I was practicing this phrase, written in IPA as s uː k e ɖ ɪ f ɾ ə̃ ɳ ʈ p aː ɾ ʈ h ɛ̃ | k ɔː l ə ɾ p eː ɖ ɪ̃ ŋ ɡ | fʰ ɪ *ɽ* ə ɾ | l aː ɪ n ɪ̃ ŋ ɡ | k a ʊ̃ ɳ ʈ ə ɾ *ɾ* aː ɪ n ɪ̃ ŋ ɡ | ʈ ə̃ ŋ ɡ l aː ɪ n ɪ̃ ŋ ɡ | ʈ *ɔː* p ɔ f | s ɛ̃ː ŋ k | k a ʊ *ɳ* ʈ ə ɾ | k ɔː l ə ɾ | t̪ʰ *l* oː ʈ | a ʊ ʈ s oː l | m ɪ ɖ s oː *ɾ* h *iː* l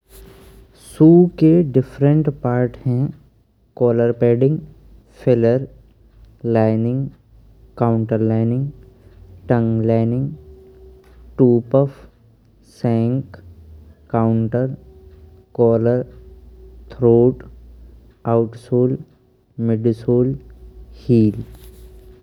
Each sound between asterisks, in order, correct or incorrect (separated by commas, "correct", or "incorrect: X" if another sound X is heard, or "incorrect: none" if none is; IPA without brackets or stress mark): incorrect: l, incorrect: l, incorrect: uː, correct, incorrect: ɾ, incorrect: l, correct